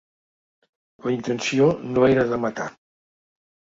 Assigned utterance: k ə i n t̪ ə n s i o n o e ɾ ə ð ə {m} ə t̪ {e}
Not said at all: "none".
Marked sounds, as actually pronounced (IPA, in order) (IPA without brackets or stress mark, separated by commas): m, a